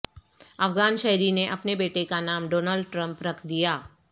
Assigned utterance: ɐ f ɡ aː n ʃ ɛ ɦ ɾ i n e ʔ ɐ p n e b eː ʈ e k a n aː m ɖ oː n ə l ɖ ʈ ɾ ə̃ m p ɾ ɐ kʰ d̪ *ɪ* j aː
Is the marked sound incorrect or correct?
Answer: incorrect